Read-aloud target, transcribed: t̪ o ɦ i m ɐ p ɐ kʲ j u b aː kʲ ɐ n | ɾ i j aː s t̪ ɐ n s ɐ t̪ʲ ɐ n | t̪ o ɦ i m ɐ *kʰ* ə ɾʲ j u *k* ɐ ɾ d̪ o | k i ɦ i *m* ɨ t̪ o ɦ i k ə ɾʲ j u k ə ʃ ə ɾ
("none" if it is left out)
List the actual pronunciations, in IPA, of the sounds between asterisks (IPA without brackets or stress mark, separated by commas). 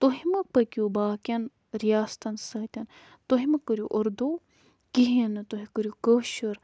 k, ʔ, n